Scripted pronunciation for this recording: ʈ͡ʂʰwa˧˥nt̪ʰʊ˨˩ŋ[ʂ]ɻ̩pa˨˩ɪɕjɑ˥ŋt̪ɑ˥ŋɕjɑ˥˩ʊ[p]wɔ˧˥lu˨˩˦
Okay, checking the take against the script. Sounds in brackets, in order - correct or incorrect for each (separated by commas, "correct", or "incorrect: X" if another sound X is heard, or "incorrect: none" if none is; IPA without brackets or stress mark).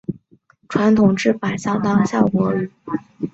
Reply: incorrect: ʈ͡ʂ, incorrect: k